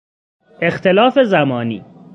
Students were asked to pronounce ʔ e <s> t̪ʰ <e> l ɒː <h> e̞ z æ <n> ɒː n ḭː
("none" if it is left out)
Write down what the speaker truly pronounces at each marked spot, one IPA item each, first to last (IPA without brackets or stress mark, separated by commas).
x, e, f, m